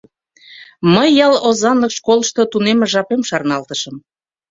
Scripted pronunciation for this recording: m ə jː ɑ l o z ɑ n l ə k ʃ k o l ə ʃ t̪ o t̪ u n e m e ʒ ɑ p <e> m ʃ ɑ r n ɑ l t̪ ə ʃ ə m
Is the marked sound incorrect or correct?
correct